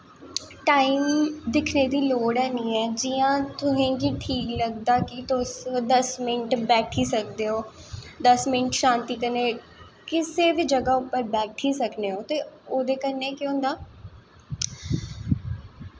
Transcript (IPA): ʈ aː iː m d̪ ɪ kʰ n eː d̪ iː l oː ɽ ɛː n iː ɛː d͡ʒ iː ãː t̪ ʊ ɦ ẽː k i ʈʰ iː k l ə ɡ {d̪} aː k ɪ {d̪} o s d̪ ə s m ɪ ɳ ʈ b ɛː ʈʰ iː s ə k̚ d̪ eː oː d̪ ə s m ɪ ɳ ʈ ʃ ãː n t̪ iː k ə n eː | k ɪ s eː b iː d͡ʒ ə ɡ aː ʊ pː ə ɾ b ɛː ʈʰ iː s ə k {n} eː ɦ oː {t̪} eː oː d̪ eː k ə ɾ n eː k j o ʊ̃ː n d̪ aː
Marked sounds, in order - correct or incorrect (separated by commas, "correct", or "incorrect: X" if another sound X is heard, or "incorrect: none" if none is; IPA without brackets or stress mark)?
correct, incorrect: t̪, correct, correct